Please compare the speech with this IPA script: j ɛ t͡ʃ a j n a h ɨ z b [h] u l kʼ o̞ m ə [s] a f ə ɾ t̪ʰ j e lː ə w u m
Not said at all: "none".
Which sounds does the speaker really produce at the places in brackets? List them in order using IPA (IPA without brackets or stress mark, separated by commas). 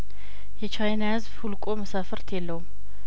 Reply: h, s